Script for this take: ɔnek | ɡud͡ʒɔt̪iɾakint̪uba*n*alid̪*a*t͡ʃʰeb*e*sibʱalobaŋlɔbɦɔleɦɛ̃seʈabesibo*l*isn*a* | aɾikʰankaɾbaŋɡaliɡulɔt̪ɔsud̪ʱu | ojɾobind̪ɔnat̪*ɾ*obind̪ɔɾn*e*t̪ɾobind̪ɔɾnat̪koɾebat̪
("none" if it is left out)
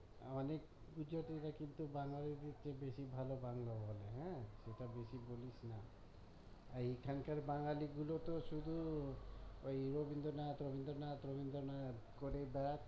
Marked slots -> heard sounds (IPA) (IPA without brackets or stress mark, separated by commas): ŋ, i, e, l, a, ɾ, a